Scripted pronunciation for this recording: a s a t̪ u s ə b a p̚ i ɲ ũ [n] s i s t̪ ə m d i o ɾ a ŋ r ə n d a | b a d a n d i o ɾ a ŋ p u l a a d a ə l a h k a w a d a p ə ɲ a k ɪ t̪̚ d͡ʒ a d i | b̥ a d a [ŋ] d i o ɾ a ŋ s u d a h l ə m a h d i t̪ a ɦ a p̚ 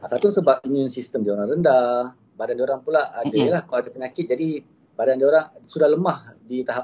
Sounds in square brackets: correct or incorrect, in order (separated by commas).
correct, incorrect